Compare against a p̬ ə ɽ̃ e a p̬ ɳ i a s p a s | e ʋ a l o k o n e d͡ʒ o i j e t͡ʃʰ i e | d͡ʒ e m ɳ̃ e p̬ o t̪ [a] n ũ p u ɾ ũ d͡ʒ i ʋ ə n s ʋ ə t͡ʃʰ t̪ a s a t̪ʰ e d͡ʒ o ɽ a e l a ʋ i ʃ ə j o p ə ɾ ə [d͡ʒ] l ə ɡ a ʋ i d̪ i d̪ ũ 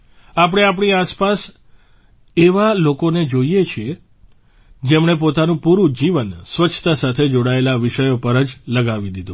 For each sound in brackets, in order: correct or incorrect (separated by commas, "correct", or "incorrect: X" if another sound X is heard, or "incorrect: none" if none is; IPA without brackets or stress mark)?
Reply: correct, correct